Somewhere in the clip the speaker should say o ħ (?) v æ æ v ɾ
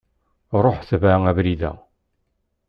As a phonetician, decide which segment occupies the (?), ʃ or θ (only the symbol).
θ